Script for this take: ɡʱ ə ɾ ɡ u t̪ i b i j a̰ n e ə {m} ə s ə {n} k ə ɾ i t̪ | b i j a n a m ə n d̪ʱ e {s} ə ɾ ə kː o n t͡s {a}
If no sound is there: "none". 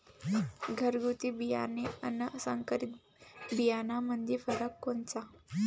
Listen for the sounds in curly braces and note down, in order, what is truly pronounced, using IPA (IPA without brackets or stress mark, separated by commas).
n, ŋ, f, a